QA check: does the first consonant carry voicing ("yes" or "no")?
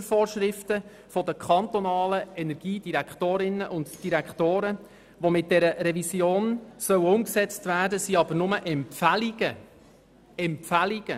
no